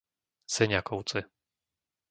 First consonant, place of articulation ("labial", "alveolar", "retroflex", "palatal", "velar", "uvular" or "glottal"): alveolar